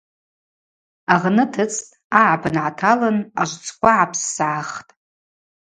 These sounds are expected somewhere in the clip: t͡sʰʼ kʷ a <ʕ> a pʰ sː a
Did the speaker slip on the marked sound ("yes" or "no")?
no